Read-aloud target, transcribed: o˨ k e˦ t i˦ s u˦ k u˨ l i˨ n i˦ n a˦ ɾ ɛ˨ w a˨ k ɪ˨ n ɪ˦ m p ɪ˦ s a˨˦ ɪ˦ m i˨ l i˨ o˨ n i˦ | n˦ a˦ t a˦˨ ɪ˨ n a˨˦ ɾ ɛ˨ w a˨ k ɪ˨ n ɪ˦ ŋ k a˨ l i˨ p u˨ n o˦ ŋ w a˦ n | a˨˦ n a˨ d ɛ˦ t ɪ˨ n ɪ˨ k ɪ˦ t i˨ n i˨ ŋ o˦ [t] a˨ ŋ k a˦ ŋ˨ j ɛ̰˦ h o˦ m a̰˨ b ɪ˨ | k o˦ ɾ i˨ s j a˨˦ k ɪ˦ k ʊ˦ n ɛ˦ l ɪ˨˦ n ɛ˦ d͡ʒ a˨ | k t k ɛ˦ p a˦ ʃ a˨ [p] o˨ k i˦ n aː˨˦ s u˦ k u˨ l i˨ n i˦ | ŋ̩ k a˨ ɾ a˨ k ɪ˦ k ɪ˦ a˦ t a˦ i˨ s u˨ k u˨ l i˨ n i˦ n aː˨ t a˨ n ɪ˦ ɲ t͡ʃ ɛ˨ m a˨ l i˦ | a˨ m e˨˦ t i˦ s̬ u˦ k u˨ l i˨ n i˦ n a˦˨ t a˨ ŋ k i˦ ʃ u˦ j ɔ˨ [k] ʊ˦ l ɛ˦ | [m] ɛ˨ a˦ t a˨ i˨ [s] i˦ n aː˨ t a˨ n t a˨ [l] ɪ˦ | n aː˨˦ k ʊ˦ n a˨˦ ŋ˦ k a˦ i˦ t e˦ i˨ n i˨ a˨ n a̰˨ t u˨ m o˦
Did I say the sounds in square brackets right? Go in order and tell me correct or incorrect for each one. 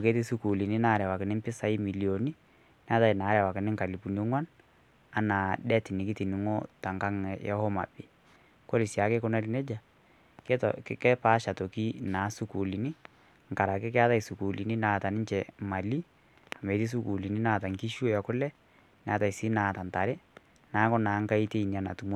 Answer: correct, incorrect: t, correct, incorrect: n, correct, incorrect: ɾ

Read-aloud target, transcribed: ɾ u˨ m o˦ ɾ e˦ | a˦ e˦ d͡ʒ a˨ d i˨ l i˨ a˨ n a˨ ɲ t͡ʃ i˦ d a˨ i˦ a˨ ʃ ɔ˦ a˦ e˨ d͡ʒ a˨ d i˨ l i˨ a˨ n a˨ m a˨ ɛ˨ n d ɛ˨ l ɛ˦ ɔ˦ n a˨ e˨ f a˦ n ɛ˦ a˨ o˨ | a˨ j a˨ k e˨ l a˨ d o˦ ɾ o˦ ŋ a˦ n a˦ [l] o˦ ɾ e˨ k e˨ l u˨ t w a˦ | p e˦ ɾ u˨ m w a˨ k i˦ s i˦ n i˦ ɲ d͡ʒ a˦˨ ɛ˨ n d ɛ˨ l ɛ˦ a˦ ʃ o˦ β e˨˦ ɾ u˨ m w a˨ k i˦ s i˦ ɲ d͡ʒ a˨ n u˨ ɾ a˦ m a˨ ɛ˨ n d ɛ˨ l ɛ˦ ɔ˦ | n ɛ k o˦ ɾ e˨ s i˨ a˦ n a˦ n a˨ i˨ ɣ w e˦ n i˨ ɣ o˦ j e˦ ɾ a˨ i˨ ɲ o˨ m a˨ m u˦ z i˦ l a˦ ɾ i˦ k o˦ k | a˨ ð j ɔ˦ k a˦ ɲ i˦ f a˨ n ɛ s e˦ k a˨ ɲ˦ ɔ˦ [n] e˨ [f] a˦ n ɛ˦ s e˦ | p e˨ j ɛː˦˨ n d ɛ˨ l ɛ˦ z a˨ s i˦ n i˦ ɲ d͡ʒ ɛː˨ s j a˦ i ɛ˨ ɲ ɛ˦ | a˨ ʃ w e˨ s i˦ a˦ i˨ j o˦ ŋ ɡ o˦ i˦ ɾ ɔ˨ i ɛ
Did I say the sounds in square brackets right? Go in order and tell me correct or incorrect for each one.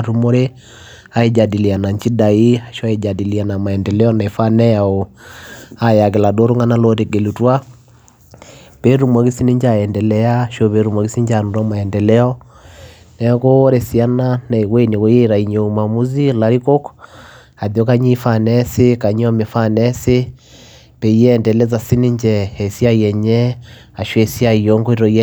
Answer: correct, incorrect: m, correct

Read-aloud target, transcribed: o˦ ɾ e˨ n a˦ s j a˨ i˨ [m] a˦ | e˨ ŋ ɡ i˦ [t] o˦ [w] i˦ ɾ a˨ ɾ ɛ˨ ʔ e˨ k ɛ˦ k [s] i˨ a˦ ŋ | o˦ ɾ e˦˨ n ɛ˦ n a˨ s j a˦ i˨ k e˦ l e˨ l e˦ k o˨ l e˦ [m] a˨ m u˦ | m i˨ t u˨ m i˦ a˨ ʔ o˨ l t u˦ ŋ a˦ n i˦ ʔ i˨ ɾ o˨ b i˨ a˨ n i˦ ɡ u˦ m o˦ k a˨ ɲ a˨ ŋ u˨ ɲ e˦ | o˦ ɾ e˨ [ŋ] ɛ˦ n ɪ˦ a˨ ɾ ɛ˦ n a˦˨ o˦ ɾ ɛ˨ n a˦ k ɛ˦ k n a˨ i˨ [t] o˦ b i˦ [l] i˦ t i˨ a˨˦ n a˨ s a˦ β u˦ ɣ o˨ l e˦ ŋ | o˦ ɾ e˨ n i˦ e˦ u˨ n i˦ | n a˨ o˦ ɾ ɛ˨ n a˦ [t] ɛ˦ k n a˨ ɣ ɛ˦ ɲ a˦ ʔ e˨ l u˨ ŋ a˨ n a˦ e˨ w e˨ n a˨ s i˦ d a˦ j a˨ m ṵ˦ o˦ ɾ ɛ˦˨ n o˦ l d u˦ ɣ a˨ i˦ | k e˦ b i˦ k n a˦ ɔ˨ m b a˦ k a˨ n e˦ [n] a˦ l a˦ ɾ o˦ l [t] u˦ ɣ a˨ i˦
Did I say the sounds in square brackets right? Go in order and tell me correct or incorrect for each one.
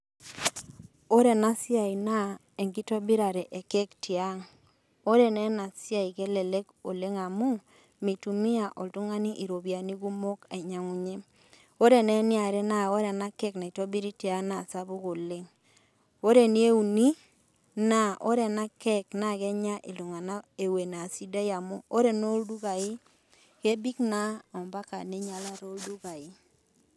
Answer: incorrect: n, correct, incorrect: b, incorrect: t, incorrect: ŋ, incorrect: n, correct, incorrect: ɾ, incorrect: k, incorrect: ɲ, incorrect: d

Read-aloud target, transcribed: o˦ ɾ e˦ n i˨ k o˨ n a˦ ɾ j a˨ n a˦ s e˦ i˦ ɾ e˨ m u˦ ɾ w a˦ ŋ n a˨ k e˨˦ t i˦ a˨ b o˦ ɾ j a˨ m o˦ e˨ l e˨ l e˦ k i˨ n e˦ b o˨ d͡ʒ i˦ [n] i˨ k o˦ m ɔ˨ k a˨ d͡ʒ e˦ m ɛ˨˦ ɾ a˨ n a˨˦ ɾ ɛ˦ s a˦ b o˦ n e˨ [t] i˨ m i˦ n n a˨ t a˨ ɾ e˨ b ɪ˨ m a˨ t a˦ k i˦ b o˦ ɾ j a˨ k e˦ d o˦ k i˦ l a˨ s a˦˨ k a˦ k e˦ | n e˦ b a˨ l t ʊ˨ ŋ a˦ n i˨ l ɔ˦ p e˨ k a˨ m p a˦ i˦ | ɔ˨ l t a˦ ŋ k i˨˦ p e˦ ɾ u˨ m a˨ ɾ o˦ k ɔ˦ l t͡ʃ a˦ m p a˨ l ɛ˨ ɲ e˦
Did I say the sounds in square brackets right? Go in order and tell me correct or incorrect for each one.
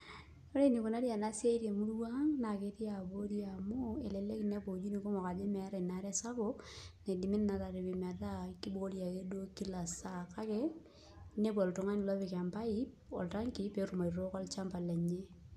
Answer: correct, incorrect: d

